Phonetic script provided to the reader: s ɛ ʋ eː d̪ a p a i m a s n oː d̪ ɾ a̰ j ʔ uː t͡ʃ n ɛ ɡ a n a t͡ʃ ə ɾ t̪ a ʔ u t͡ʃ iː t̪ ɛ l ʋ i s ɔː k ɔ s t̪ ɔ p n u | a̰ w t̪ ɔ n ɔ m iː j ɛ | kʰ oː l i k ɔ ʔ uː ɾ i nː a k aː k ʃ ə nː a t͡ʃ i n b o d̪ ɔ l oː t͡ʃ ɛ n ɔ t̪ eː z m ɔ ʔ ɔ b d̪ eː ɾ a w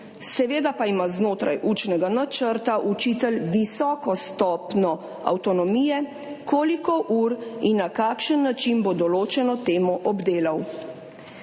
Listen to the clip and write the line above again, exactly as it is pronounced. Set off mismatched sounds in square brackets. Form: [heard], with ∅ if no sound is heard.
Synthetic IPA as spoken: s ɛ ʋ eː d̪ a p a i m a [z] n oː [t̪] ɾ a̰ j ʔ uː t͡ʃ n ɛ ɡ a n a t͡ʃ ə ɾ t̪ a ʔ u t͡ʃ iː t̪ ɛ l ʋ i s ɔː k ɔ s t̪ ɔ p n [ɔ] | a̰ w t̪ ɔ n ɔ m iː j ɛ | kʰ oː l i k ɔ ʔ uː ɾ i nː a k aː k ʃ ə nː a t͡ʃ i n b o d̪ ɔ l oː t͡ʃ ɛ n ɔ t̪ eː [∅] m ɔ ʔ ɔ b d̪ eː [l] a w